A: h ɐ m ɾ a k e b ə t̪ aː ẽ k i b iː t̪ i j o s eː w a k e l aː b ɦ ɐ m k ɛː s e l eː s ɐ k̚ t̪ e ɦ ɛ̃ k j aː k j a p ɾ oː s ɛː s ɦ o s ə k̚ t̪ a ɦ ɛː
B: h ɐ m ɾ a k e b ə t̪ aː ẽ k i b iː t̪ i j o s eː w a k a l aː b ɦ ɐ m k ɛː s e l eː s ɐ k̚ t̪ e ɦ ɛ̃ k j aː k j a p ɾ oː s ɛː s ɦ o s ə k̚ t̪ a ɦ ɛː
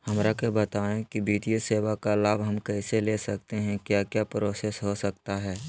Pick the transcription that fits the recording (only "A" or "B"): B